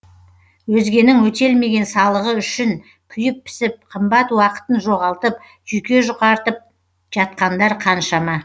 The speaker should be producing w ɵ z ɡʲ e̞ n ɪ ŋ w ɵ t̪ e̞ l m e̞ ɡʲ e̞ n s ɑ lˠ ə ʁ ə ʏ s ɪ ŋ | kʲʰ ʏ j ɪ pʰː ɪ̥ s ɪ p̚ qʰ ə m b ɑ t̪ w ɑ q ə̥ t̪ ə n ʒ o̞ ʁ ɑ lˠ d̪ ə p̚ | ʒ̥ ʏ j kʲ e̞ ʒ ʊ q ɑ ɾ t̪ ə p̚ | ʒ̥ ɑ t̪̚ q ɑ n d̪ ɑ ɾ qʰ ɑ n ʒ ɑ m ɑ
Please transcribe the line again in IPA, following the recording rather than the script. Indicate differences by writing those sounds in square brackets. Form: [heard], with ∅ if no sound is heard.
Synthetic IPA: w ɵ z ɡʲ e̞ n ɪ ŋ w ɵ t̪ e̞ l m e̞ ɡʲ e̞ n s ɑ lˠ ə ʁ ə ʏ [ʃ] ɪ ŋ | kʲʰ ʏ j ɪ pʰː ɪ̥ s ɪ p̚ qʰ ə m b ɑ t̪ w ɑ q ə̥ t̪ ə n ʒ o̞ ʁ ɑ lˠ [t̪] ə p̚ | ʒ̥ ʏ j kʲ e̞ ʒ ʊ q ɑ ɾ t̪ ə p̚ | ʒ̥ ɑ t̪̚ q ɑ n d̪ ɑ ɾ qʰ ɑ n [ʃ] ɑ m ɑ